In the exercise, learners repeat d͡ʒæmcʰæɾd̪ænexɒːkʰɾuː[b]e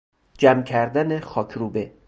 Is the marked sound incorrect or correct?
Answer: correct